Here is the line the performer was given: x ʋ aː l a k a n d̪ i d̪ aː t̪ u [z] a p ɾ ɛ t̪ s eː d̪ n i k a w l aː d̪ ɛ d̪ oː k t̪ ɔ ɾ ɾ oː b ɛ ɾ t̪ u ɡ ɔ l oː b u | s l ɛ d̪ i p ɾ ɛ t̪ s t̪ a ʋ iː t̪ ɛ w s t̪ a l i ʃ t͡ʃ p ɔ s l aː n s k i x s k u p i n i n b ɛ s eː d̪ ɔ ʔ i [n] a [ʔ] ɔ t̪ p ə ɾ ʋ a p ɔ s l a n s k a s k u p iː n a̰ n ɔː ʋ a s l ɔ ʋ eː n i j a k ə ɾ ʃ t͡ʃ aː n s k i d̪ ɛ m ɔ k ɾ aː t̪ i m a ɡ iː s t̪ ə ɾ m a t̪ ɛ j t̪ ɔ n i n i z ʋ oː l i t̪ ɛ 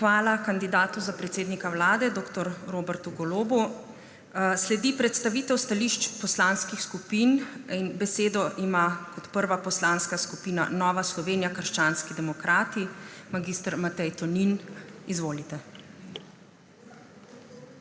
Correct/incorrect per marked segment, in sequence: correct, incorrect: m, incorrect: k

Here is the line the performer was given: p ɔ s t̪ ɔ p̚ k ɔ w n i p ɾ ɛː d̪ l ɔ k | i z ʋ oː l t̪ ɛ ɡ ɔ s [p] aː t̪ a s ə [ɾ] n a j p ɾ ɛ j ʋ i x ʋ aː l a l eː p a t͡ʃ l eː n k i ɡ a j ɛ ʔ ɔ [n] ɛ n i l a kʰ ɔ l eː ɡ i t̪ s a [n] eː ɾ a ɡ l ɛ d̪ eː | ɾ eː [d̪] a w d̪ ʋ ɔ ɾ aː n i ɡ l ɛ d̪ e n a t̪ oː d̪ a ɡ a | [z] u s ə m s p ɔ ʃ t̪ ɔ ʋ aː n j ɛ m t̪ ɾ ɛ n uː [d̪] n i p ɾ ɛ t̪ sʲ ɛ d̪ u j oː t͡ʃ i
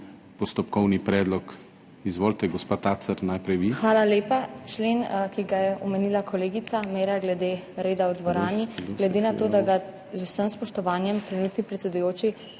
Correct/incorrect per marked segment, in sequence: correct, correct, incorrect: m, incorrect: m, correct, correct, incorrect: t̪

